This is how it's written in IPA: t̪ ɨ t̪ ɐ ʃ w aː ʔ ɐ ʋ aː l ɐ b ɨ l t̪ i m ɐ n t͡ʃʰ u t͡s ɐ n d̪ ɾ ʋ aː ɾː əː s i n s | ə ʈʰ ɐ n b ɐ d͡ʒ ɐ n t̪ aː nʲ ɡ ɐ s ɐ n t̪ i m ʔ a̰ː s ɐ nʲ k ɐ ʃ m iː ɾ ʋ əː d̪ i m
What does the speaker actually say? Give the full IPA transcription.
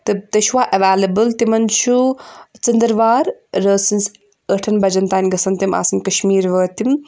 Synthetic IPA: t̪ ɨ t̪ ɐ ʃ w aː ʔ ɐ ʋ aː l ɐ b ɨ l t̪ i m ɐ n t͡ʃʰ u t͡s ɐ n d̪ ɾ ʋ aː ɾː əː s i n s | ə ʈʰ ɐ n b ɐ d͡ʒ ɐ n t̪ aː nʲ ɡ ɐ s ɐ n t̪ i m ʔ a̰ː s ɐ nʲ k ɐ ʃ m iː ɾ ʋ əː t̪ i m

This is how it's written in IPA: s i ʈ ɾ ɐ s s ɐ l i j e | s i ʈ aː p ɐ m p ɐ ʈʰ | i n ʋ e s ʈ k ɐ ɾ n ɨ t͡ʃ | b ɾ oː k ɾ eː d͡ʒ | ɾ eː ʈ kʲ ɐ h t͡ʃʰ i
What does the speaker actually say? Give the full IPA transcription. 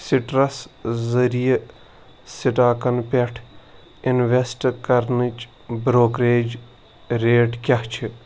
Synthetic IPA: s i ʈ ɾ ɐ s z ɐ ɾ i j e | s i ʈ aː k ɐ n p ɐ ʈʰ | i n ʋ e s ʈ k ɐ ɾ n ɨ t͡ʃ | b ɾ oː k ɾ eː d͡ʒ | ɾ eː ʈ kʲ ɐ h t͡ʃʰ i

